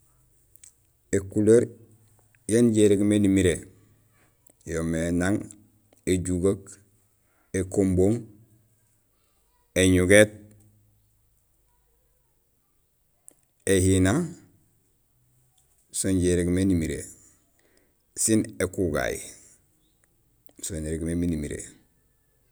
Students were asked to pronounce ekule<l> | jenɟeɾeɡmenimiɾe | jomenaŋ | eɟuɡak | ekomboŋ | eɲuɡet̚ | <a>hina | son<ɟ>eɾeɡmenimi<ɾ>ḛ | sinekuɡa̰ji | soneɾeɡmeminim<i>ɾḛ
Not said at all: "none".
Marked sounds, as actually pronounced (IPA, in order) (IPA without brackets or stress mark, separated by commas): ɾ, e, ɟ, ɾ, i